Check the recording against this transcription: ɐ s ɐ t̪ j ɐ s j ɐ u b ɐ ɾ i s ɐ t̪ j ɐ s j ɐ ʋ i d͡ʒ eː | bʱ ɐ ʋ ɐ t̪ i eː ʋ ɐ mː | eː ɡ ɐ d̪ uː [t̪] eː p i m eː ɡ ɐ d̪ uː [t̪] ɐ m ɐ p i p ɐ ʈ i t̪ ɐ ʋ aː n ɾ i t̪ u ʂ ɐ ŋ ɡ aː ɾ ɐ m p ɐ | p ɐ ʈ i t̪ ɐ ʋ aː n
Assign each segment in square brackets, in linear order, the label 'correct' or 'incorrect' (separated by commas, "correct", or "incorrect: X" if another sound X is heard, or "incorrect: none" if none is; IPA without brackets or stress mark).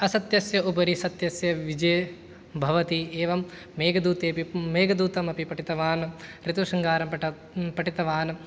correct, correct